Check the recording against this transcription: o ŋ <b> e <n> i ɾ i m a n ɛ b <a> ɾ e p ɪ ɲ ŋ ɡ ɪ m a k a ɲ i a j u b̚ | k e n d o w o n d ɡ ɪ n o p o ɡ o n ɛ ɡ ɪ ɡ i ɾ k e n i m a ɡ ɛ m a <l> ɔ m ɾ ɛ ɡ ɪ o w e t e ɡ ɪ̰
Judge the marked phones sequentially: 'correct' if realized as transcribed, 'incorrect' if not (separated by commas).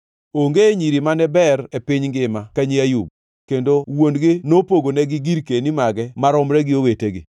incorrect, incorrect, incorrect, incorrect